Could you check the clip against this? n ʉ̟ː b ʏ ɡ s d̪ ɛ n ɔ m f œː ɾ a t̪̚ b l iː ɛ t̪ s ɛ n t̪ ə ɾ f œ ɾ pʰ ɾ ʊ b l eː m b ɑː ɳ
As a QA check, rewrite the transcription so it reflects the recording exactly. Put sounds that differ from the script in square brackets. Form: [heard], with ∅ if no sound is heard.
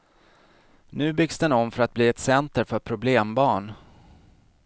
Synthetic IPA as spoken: n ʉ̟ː b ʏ ɡ s d̪ ɛ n ɔ m f [œ] ɾ a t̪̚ b l iː ɛ t̪ s ɛ n t̪ ə ɾ f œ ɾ pʰ ɾ ʊ b l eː m b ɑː ɳ